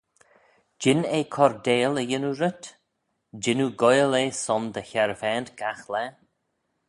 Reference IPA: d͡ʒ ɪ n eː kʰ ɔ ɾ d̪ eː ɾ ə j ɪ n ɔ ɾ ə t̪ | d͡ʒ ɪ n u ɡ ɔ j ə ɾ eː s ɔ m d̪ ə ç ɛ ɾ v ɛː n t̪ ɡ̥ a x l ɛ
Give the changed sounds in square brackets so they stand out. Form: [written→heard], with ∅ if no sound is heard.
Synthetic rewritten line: d͡ʒ ɪ n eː kʰ ɔ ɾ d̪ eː [ɾ→l] ə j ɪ n [ɔ→u] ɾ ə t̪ | d͡ʒ ɪ n u ɡ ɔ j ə [ɾ→l] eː s ɔ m d̪ ə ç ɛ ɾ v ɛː n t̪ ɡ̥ a x l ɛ